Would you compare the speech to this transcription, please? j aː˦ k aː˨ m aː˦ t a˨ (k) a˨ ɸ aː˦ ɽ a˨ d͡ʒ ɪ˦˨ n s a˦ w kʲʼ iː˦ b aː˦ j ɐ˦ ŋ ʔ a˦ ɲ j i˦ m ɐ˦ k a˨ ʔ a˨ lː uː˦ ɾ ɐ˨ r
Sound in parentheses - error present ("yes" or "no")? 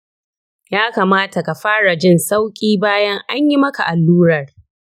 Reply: no